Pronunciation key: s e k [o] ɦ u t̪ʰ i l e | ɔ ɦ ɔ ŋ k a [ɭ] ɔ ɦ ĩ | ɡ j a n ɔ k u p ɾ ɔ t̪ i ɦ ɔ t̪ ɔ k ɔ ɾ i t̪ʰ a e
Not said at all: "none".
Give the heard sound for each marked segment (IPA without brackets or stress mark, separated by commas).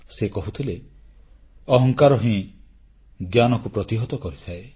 ɔ, ɾ